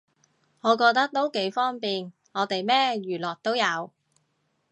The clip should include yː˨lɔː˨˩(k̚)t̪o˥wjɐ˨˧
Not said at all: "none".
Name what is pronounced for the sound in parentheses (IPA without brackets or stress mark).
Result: k̚